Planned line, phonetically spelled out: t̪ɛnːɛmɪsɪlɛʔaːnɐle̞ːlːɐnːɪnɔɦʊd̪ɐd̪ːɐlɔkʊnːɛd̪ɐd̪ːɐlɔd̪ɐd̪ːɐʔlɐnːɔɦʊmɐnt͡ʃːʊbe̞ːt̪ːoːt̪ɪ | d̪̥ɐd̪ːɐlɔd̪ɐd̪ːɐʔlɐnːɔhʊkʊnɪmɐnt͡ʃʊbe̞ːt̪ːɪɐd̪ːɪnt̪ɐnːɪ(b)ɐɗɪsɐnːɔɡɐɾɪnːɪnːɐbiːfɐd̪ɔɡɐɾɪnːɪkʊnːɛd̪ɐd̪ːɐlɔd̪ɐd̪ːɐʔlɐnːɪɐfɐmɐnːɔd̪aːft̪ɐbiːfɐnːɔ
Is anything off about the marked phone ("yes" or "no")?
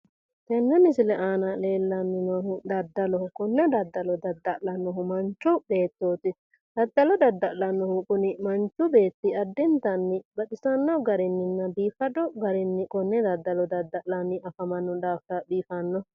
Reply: no